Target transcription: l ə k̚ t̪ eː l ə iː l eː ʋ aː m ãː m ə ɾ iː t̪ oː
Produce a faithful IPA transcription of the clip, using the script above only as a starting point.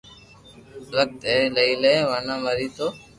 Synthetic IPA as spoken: l ə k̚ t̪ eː l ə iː l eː ʋ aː n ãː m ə ɾ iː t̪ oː